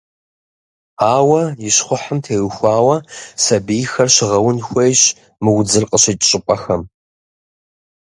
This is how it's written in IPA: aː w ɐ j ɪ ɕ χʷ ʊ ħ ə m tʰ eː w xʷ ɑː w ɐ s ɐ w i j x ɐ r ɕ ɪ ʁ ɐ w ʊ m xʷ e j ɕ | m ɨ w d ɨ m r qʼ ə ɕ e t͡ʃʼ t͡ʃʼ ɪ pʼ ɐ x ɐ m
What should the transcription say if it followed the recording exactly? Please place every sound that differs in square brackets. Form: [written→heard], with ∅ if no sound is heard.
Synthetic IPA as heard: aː w ɐ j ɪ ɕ χʷ ʊ ħ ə m tʰ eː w xʷ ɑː w ɐ s ɐ [w→b] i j x ɐ r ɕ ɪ ʁ ɐ w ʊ [m→n] xʷ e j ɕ | m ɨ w [d→d͡z] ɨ [m→∅] r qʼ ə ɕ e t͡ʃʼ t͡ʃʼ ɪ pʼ ɐ x ɐ m